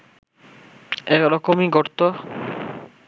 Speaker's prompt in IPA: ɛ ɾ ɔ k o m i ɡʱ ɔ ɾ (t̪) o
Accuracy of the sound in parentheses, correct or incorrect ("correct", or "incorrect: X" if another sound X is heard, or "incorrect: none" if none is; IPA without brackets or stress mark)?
correct